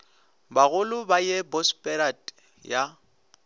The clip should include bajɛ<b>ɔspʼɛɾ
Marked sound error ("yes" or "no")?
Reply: no